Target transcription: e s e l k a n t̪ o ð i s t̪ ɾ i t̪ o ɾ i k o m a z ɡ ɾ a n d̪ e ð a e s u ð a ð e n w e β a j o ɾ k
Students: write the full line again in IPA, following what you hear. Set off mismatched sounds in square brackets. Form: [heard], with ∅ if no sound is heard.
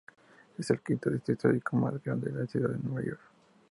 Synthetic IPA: e s e l k [i] n t̪ o ð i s t̪ ɾ i t̪ o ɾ i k o m a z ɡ ɾ a n d̪ e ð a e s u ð a ð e n w e β a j o ɾ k